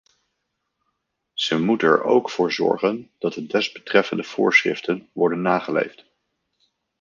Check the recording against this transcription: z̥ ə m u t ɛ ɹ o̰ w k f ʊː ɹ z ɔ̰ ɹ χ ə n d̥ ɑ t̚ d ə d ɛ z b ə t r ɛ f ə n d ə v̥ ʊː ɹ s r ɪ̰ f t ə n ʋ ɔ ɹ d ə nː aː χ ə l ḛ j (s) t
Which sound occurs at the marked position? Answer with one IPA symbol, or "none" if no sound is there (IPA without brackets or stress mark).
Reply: f